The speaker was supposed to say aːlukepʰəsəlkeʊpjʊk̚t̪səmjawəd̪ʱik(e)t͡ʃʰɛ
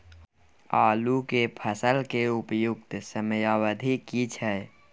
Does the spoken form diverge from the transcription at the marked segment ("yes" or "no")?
yes